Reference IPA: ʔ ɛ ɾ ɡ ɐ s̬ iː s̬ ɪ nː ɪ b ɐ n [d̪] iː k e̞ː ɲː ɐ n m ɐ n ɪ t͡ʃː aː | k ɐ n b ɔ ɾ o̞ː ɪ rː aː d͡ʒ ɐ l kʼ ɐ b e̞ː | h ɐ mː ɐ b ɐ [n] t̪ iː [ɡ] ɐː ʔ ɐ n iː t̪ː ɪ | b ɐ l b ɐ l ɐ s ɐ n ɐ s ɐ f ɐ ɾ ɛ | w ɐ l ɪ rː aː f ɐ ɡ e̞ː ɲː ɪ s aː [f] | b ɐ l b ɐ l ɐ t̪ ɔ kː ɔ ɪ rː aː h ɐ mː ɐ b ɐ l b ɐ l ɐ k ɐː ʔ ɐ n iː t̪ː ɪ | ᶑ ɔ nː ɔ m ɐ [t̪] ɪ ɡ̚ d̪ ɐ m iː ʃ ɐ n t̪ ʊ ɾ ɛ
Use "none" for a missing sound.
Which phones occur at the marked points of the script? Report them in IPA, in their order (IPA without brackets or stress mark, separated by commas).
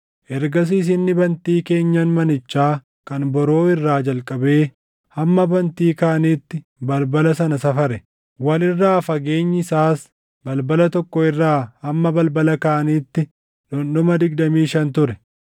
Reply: t̪, n, k, s, d̪